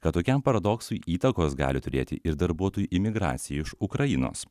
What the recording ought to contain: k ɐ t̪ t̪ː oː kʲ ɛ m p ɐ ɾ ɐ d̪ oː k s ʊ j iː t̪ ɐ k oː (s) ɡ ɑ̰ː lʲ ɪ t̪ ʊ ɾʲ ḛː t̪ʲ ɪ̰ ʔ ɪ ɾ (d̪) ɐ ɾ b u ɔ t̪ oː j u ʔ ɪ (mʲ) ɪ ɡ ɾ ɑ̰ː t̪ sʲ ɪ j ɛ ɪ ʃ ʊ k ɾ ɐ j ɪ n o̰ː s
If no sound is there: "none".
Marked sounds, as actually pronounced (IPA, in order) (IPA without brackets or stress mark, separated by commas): s, d̪, mʲ